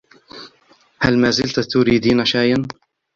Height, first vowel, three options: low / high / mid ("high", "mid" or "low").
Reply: low